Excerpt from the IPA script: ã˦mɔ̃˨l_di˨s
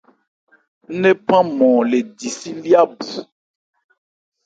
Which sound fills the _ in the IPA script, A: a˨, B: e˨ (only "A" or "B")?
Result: B